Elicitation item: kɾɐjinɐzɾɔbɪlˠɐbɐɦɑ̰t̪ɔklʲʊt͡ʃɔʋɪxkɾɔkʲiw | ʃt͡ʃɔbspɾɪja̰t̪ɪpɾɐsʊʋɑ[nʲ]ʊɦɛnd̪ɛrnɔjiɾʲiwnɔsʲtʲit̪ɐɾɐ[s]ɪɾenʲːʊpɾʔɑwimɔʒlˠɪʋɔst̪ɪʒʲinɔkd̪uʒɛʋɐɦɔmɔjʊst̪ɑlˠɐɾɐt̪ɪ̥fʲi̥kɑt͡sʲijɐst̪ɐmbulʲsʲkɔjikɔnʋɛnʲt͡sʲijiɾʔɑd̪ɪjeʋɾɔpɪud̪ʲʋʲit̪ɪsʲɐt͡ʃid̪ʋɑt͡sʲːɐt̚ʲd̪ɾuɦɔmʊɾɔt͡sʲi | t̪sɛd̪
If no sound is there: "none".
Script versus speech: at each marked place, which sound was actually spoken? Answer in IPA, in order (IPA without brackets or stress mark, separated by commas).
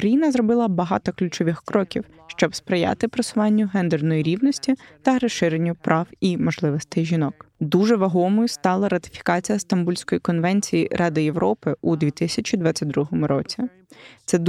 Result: nʲː, ʃ